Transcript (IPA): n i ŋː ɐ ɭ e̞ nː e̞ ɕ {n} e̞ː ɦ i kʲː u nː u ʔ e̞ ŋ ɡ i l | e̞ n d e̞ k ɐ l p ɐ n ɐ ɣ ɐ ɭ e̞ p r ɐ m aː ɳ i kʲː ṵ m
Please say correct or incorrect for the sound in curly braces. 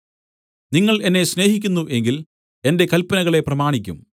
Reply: correct